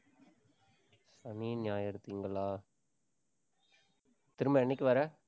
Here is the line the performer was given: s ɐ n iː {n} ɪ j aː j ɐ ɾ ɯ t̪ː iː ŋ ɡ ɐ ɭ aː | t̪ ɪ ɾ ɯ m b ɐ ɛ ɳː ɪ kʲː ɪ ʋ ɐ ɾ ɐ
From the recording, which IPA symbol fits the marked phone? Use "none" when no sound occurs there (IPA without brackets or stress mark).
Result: n